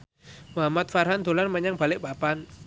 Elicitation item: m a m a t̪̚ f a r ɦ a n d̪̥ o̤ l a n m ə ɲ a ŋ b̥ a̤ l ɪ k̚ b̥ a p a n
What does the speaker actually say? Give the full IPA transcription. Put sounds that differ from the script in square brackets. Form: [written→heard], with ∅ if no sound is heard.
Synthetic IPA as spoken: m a m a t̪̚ f a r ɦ a n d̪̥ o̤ l a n m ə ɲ a ŋ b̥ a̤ l ɪ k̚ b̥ a p a n